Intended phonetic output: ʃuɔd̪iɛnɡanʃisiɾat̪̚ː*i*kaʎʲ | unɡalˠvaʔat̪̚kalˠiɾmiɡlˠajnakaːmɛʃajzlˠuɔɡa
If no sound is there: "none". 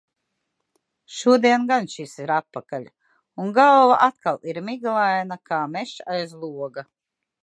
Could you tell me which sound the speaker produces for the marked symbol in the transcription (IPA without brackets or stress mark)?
a